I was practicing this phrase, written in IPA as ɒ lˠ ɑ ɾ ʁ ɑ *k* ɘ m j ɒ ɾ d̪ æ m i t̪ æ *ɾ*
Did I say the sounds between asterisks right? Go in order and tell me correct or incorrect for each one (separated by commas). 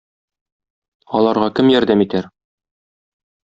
correct, correct